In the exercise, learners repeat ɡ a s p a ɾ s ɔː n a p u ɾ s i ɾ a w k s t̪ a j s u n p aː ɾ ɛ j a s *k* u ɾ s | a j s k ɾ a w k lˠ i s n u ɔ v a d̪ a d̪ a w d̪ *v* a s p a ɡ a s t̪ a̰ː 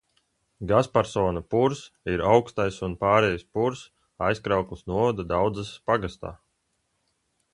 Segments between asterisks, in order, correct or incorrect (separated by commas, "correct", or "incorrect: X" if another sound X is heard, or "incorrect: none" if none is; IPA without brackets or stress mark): incorrect: p, incorrect: z